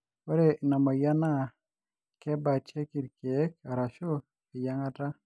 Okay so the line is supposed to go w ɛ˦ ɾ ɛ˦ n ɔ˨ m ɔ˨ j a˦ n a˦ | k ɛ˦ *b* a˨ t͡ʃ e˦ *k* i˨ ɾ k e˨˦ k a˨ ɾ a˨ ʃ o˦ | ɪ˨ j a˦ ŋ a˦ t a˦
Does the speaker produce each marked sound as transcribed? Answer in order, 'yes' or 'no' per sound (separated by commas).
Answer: yes, yes